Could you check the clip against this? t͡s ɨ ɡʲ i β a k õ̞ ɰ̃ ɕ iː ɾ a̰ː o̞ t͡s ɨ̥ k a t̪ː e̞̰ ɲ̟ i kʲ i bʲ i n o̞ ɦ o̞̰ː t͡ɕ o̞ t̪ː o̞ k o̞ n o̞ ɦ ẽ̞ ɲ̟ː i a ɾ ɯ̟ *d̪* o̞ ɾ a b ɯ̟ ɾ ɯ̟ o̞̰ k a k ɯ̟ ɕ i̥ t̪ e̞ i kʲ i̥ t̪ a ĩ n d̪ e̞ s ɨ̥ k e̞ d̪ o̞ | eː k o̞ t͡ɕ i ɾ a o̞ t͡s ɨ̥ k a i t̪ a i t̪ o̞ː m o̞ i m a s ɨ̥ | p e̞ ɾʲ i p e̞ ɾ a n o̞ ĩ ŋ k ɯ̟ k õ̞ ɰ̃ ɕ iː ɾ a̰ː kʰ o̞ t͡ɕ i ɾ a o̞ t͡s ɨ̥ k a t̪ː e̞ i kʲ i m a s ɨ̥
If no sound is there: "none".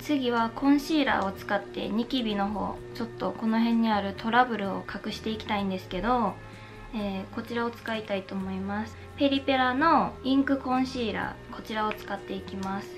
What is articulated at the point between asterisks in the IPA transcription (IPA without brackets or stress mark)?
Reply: t̪